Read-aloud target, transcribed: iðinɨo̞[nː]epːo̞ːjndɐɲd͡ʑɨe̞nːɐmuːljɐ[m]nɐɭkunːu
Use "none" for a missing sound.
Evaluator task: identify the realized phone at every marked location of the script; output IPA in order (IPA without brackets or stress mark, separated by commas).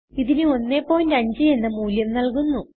nː, m